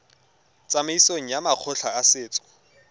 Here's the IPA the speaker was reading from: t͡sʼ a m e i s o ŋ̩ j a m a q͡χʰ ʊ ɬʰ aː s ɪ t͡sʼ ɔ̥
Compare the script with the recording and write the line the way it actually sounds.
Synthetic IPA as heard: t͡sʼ a m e i s o ŋ̩ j a m a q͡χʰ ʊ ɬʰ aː s ɪː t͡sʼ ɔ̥